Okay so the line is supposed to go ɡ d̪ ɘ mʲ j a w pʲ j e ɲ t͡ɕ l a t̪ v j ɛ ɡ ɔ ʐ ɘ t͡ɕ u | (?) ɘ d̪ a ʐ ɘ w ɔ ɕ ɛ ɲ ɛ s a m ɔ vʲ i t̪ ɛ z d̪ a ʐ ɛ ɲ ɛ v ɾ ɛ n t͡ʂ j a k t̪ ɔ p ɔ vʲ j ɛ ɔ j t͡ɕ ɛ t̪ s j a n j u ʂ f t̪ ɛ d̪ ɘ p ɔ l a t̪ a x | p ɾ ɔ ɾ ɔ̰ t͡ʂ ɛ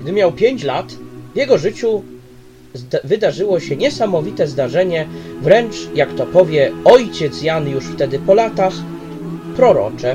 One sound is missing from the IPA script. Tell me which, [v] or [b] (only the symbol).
v